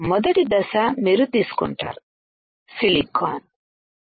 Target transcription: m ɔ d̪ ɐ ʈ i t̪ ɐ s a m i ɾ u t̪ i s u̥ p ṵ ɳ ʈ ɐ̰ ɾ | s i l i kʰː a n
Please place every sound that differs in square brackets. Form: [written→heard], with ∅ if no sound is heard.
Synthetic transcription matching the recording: m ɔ d̪ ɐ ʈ i [t̪→d̪] ɐ s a m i ɾ u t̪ i s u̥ [p→k] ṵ ɳ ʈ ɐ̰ ɾ | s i l i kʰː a n